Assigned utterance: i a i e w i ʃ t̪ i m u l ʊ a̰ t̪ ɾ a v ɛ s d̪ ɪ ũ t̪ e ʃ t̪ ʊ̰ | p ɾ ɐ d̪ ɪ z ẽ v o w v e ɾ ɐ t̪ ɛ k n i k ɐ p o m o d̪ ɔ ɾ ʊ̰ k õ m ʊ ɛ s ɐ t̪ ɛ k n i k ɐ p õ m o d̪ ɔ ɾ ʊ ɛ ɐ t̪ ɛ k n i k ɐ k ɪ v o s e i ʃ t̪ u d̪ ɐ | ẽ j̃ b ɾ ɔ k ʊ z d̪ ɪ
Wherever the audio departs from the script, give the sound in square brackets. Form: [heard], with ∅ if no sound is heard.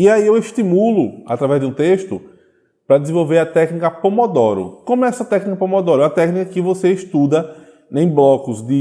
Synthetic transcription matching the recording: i a i e w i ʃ t̪ i m u l ʊ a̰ t̪ ɾ a v ɛ [z] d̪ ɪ ũ t̪ e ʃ t̪ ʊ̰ | p ɾ ɐ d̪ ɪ z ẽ v o w v e ɾ ɐ t̪ ɛ k n i k ɐ p o m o d̪ ɔ ɾ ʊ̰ k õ m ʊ ɛ s ɐ t̪ ɛ k n i k ɐ p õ m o d̪ ɔ ɾ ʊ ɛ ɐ t̪ ɛ k n i k ɐ k ɪ v o s e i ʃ t̪ u d̪ ɐ | ẽ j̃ b [l] ɔ k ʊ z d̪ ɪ